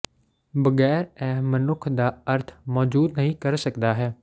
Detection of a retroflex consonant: absent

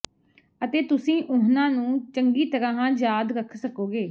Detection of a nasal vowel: present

